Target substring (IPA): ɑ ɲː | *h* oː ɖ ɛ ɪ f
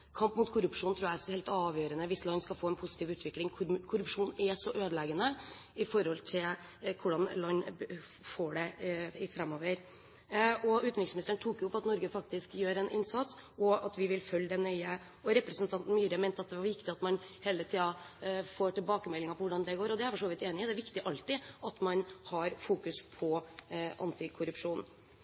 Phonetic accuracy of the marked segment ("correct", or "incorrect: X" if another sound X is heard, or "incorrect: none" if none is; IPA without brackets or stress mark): incorrect: f